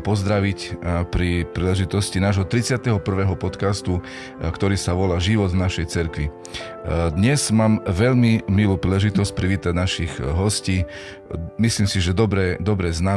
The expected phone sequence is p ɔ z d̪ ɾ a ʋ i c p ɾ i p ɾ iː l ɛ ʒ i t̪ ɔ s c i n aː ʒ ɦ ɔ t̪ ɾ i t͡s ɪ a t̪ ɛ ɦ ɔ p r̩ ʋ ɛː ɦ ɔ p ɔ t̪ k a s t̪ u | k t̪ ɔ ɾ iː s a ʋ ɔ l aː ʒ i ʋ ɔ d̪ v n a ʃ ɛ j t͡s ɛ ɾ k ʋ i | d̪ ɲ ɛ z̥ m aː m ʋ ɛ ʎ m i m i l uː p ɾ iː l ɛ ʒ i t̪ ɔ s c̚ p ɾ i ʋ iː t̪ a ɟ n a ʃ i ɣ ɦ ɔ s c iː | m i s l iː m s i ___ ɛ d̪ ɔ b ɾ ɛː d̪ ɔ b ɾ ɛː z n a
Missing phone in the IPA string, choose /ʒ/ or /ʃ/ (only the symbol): ʒ